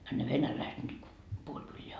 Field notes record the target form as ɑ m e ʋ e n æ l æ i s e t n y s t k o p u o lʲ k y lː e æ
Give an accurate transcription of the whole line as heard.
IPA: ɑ n e ʋ e n æ l æ i s e t n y t k o p u o lʲ k y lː e æ